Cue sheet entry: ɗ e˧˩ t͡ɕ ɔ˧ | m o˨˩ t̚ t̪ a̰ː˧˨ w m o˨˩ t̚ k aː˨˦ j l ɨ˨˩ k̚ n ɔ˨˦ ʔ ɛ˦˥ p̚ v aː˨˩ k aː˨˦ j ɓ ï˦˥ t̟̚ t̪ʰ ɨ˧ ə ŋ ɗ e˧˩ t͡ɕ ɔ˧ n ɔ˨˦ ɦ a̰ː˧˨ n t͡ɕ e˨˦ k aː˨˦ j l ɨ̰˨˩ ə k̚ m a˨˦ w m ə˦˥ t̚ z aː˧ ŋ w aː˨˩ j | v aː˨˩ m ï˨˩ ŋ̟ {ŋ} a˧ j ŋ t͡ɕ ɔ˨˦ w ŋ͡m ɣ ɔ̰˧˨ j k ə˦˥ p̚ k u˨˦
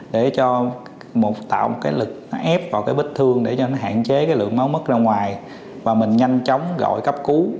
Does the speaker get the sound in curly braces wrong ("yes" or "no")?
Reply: yes